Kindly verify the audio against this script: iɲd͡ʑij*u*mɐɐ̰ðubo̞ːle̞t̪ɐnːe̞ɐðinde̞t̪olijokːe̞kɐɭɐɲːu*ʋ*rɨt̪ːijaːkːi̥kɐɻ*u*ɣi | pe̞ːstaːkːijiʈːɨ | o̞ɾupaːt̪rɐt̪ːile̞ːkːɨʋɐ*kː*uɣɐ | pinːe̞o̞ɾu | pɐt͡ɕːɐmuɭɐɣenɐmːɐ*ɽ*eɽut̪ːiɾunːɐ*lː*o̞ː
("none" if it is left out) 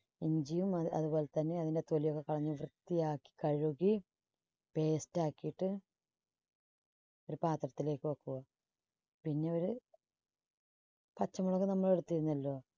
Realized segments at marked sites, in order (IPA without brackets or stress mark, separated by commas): u, ʋ, u, kː, ɭ, lː